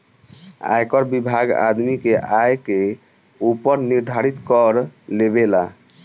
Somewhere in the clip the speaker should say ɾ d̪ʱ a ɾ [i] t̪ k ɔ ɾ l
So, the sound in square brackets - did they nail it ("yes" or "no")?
yes